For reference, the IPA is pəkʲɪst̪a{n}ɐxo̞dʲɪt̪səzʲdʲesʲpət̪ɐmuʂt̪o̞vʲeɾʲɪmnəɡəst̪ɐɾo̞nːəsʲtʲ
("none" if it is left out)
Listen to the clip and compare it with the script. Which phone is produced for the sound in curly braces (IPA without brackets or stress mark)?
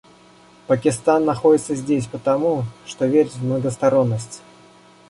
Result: nː